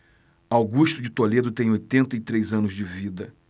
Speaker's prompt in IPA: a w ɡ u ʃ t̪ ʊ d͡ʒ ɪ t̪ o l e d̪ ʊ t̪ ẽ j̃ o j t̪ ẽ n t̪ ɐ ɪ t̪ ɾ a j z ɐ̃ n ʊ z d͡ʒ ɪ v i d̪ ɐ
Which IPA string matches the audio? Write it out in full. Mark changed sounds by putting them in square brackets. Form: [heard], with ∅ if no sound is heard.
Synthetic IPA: a w ɡ u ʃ t̪ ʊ d͡ʒ ɪ t̪ o l e d̪ ʊ t̪ ẽ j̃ o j t̪ ẽ n t̪ ɐ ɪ t̪ ɾ [e] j z ɐ̃ n ʊ z d͡ʒ ɪ v i d̪ ɐ